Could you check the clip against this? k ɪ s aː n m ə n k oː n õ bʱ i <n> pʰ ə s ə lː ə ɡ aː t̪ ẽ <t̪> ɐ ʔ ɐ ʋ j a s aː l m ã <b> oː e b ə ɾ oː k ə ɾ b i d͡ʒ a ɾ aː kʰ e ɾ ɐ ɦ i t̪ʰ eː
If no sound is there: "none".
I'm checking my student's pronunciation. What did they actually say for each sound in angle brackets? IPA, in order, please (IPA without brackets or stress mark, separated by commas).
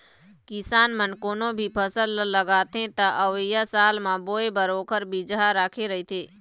none, t̪, b